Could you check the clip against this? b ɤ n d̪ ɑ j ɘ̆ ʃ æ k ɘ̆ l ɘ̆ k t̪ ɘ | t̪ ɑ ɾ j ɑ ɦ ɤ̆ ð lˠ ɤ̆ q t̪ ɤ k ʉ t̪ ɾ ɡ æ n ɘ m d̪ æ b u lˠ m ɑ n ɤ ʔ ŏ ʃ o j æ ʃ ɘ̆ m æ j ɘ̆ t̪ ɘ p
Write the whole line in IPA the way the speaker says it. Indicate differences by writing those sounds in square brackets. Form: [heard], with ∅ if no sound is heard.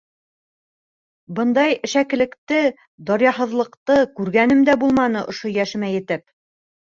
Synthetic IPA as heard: b ɤ n d̪ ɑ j ɘ̆ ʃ æ k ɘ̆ l ɘ̆ k t̪ ɘ | [d̪] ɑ ɾ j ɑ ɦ ɤ̆ ð lˠ ɤ̆ q t̪ ɤ k ʉ [∅] ɾ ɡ æ n ɘ m d̪ æ b u lˠ m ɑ n ɤ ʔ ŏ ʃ o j æ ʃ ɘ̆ m æ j ɘ̆ t̪ ɘ p